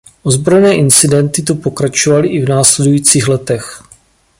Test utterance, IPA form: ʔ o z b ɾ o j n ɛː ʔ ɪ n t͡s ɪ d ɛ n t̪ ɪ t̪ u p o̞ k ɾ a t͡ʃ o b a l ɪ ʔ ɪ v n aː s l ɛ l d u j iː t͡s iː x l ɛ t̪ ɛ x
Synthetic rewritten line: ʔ o z b ɾ o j n ɛː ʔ ɪ n t͡s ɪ d ɛ n t̪ ɪ t̪ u p o̞ k ɾ a t͡ʃ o v a l ɪ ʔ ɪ v n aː s l ɛ d u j iː t͡s iː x l ɛ t̪ ɛ x